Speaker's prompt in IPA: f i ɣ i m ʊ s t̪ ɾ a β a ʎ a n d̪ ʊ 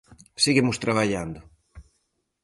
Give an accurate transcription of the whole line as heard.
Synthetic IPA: s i ɣ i m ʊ s t̪ ɾ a β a ʎ a n d̪ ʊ